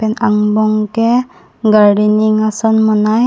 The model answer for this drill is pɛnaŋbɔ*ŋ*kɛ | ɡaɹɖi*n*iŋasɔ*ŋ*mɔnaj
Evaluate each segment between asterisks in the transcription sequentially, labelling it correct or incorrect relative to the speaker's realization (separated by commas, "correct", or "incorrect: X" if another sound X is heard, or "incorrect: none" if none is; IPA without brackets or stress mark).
correct, correct, incorrect: n